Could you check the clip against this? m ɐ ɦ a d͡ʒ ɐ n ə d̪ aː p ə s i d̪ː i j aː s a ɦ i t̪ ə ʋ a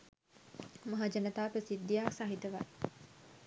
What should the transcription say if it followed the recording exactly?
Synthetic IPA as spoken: m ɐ ɦ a d͡ʒ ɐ n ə t̪ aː p ə s i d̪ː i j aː s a ɦ i t̪ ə ʋ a